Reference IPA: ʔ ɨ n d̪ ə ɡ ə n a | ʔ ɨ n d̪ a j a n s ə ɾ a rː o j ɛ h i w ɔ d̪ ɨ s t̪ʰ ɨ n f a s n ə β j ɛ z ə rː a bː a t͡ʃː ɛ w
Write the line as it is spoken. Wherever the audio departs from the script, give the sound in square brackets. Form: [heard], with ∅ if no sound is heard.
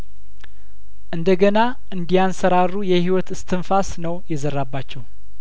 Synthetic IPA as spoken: ʔ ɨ n d̪ ə ɡ ə n a | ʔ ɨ n d̪ [i] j a n s ə ɾ a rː [u] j ɛ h i w ɔ [t̪] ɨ s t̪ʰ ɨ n f a s n ə [w] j ɛ z ə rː a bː a t͡ʃː ɛ w